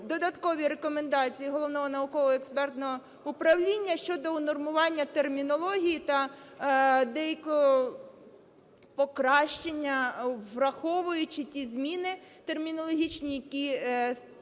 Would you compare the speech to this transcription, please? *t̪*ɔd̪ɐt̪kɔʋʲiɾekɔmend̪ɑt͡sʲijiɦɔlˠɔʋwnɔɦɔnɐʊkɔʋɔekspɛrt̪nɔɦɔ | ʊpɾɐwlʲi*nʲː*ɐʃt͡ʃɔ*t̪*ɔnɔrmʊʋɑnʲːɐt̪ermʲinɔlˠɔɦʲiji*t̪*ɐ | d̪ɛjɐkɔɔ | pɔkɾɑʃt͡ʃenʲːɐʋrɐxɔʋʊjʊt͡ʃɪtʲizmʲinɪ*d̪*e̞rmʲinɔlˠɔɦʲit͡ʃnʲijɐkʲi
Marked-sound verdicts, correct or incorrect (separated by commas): incorrect, correct, incorrect, correct, incorrect